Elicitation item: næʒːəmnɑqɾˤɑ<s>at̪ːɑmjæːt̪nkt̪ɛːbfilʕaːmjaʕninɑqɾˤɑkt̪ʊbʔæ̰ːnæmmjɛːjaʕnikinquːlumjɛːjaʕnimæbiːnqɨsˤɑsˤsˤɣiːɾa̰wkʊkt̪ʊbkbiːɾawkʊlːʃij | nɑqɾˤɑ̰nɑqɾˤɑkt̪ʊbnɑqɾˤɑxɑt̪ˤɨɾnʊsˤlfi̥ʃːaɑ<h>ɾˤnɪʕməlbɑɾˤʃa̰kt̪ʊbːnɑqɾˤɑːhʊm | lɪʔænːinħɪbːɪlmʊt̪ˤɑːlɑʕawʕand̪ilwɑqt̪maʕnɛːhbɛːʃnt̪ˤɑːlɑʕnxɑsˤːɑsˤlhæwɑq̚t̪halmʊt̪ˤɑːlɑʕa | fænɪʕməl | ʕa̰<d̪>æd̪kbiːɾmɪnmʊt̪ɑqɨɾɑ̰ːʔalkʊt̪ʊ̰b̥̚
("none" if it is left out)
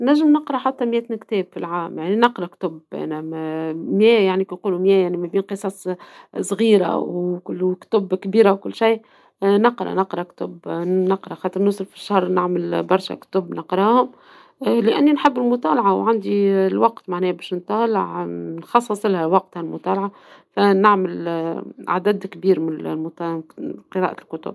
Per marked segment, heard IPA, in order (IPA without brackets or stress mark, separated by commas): ħ, h, d̪